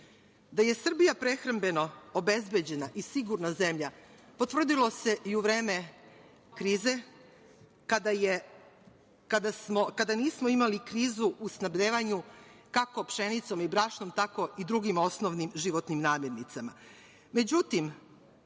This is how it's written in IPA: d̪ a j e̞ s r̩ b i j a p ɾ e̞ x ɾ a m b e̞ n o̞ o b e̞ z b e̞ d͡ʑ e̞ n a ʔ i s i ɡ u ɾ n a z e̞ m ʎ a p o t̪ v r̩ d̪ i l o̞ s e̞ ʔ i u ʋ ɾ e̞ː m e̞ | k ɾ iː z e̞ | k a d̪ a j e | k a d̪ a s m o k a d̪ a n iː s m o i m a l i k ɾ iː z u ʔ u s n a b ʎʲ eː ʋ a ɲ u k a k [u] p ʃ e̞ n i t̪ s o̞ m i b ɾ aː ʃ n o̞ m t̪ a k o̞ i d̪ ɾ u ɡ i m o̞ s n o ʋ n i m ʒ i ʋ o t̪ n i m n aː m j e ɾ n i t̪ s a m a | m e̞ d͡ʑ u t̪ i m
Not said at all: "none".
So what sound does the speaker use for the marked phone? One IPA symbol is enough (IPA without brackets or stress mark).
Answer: o